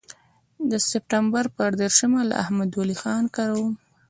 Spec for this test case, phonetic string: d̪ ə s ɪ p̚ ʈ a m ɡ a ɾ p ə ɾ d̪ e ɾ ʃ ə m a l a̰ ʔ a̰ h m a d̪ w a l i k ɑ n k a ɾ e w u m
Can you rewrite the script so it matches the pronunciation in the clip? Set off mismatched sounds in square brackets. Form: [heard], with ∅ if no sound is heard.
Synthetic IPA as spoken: d̪ ə s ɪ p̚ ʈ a m [b] a ɾ p ə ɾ d̪ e ɾ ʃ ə m a l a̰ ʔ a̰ h m a d̪ w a l i [x] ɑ n k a ɾ [a] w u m